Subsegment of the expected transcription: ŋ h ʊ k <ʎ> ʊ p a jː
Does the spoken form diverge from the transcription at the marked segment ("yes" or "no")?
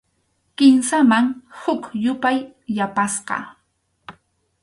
yes